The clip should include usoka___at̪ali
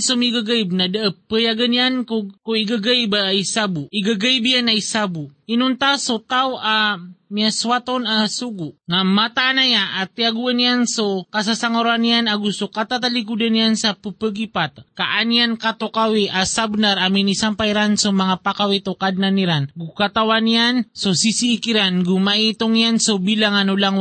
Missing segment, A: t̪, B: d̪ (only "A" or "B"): A